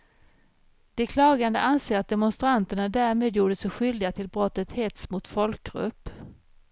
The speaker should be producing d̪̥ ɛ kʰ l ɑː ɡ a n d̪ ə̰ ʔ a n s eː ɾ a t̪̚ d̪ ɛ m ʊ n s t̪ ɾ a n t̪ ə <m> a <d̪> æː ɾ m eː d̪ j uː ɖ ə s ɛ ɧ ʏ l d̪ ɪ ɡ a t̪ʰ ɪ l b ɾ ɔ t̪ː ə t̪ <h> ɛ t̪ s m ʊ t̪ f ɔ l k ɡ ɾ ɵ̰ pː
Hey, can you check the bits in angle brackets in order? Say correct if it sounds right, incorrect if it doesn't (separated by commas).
incorrect, correct, correct